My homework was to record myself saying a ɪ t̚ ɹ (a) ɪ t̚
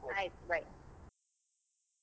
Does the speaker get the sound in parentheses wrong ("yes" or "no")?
no